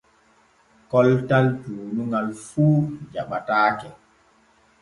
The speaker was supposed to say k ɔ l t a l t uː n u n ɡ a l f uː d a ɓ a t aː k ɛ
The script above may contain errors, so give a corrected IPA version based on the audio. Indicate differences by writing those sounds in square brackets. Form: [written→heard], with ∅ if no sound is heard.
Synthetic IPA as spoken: k ɔ l t a l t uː n u [n→ŋ] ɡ a l f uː [d→d͡ʒ] a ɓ a t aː k ɛ